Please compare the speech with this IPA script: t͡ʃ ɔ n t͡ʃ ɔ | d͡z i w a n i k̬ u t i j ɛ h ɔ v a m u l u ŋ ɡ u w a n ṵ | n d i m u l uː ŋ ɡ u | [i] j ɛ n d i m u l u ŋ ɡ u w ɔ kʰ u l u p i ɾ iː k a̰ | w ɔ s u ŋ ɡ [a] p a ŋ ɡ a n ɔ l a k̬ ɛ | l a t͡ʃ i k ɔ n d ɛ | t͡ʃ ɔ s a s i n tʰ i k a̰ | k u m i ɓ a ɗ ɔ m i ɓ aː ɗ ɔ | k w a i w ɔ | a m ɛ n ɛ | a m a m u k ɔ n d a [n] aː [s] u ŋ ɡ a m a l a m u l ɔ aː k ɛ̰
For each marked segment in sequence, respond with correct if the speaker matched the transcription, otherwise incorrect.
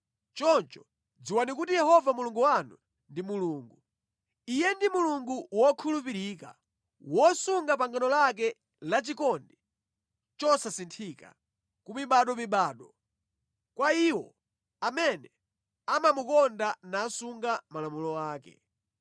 correct, correct, correct, correct

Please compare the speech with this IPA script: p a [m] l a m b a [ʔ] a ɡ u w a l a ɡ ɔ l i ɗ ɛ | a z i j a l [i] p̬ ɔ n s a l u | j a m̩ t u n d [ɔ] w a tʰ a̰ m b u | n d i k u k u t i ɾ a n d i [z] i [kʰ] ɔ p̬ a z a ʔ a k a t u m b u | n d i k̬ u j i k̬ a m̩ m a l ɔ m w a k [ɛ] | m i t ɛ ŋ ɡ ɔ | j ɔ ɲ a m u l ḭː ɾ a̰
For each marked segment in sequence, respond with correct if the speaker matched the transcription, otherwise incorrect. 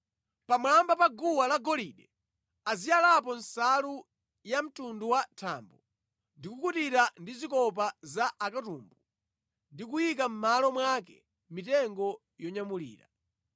correct, incorrect, incorrect, incorrect, correct, incorrect, correct

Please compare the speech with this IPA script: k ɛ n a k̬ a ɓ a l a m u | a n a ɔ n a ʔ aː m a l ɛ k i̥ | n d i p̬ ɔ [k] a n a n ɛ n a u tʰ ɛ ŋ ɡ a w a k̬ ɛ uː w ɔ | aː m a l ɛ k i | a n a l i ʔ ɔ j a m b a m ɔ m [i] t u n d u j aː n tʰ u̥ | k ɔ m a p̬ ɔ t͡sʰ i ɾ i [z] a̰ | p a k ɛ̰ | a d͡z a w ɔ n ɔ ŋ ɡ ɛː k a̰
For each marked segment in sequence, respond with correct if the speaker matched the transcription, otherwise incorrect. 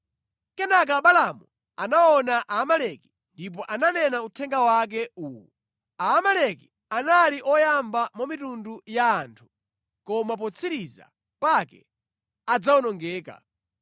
incorrect, correct, correct

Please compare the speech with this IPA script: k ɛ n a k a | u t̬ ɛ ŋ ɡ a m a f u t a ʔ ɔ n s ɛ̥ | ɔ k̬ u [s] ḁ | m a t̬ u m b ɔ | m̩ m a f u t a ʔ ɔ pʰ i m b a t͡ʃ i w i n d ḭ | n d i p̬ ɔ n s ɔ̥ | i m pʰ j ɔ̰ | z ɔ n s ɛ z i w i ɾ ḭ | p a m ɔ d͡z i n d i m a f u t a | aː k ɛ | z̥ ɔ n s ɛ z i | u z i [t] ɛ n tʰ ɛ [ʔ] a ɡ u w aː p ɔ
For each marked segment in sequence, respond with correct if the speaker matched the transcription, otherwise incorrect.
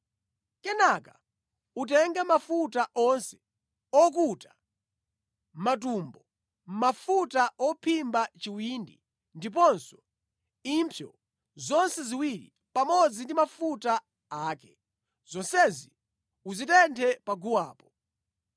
incorrect, correct, incorrect

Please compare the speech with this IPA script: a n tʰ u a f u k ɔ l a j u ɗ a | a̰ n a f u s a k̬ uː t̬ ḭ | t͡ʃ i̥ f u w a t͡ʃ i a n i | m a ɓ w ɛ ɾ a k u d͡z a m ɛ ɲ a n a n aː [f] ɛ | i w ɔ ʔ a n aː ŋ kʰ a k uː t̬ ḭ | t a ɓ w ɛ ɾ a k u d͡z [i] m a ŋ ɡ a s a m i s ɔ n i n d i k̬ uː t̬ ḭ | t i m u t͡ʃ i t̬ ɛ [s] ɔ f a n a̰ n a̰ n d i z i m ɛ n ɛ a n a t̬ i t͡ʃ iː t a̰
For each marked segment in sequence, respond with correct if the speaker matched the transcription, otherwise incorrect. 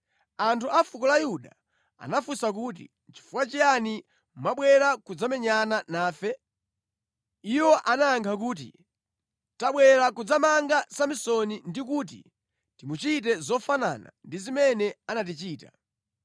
correct, incorrect, incorrect

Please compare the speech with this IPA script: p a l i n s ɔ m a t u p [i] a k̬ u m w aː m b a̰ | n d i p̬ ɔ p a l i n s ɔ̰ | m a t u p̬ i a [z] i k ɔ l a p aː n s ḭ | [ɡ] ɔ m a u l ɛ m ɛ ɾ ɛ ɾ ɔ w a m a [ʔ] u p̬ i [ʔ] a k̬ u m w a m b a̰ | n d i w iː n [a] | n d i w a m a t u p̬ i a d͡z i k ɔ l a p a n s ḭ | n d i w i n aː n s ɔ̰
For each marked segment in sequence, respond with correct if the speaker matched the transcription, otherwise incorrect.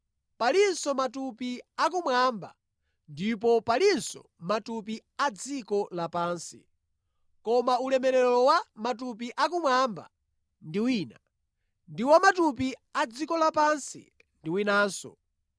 correct, incorrect, incorrect, incorrect, correct, correct

